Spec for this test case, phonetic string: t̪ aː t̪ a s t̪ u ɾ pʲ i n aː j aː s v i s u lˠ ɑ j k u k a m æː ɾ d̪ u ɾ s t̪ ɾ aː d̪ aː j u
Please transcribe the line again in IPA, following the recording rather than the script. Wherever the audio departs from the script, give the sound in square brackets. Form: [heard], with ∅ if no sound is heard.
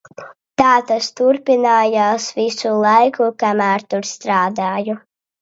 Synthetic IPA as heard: t̪ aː t̪ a s t̪ u ɾ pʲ i n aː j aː s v i s u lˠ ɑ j k u k a m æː ɾ [t̪] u ɾ s t̪ ɾ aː d̪ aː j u